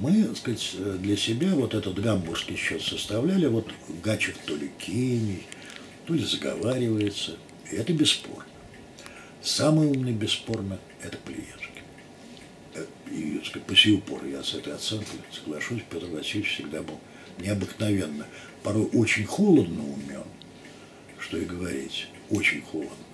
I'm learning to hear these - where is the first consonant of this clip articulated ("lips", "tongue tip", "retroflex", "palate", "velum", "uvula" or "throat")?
lips